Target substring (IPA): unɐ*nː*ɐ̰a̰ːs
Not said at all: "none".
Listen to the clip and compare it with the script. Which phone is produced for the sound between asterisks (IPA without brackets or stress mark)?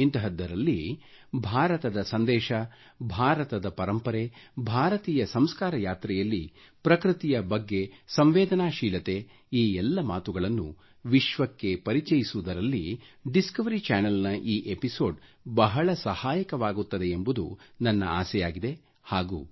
nː